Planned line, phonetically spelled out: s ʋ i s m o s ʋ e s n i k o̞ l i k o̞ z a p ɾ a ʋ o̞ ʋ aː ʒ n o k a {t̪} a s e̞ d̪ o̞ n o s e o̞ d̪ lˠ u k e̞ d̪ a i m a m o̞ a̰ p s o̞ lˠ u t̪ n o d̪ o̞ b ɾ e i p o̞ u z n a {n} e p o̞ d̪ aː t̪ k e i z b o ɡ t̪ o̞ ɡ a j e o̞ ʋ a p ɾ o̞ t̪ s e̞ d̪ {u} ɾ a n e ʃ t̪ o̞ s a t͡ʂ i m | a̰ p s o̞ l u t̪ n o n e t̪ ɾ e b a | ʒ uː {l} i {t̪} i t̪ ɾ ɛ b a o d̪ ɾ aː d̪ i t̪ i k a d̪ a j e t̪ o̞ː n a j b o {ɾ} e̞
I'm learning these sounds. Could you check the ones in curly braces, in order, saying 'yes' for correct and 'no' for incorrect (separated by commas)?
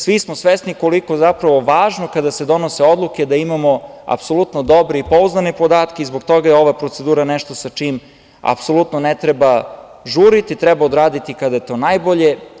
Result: no, yes, no, no, yes, no